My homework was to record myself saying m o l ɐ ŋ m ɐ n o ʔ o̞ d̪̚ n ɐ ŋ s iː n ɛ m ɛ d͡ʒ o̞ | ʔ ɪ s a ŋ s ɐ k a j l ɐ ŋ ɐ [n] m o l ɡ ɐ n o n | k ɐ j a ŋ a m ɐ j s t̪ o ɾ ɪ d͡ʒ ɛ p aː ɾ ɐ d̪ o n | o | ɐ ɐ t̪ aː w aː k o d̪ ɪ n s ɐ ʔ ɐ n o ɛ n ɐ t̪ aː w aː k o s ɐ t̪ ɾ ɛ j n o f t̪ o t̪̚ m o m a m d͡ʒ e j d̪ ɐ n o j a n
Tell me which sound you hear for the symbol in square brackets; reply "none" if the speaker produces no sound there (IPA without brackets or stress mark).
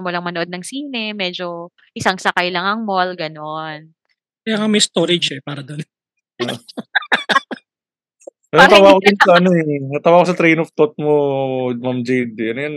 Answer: ŋ